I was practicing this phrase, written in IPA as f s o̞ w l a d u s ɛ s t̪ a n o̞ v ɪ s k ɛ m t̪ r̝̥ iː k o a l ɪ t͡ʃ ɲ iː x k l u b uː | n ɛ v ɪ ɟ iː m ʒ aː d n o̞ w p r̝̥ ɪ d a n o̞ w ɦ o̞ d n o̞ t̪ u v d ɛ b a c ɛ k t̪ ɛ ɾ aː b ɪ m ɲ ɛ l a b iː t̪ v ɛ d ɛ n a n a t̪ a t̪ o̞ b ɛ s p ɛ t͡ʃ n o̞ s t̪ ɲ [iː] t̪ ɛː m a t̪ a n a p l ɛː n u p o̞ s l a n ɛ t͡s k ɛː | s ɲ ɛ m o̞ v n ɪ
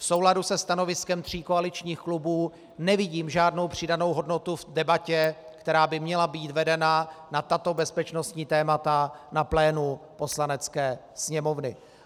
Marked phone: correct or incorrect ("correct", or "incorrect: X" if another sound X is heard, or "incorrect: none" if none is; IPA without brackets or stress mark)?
correct